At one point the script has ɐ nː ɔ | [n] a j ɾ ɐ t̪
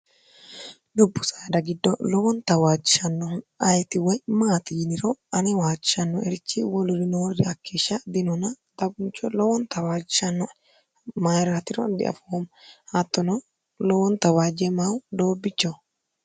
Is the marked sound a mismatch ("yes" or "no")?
yes